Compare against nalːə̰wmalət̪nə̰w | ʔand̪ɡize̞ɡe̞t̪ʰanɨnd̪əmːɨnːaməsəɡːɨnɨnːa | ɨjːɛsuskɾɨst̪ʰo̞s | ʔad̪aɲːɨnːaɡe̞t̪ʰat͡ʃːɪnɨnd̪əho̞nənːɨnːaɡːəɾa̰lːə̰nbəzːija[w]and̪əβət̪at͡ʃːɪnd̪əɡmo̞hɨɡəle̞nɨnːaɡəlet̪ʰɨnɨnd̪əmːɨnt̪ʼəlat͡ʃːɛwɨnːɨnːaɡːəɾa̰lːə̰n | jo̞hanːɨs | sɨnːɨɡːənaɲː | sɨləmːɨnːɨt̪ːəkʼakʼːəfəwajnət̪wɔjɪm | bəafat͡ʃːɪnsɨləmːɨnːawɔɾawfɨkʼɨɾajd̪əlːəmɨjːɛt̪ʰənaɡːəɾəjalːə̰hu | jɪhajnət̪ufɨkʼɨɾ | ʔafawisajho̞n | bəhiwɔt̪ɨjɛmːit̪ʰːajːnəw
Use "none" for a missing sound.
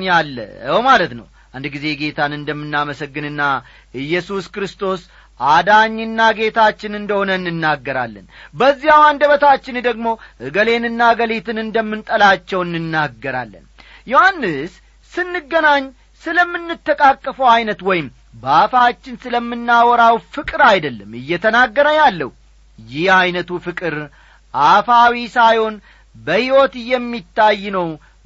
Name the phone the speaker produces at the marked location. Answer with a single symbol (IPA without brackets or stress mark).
w